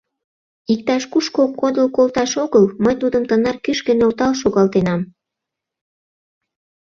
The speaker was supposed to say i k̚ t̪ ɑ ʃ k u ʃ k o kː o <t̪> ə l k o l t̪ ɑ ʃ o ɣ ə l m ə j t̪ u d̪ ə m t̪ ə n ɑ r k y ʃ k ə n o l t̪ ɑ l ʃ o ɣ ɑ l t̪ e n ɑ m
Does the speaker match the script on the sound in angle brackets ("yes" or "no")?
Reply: no